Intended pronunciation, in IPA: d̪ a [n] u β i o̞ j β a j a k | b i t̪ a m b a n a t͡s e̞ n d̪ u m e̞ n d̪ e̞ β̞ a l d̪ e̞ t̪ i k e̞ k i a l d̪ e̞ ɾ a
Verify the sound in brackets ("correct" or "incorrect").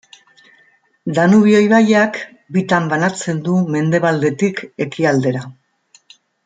correct